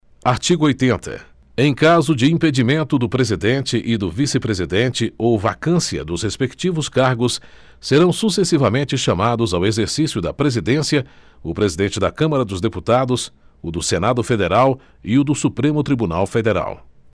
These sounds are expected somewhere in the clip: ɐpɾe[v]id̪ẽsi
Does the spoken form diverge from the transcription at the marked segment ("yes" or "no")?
yes